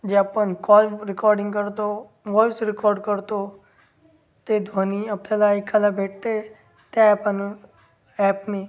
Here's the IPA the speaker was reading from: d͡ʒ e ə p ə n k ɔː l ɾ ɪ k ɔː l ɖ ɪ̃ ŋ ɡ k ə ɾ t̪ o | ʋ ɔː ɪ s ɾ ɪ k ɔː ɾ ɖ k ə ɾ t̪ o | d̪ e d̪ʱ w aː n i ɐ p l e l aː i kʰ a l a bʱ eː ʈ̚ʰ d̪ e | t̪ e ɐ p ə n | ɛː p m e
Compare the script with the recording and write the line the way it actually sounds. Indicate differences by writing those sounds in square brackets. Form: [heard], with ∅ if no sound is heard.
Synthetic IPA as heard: d͡ʒ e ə p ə n k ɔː l ɾ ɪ k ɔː [ɾ] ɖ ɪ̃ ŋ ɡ k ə ɾ t̪ o | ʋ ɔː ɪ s ɾ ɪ k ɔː ɾ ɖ k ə ɾ t̪ o | [t̪] e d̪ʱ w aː n i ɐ p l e l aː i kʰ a l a bʱ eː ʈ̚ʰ [t̪] e | t̪ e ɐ p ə n | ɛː p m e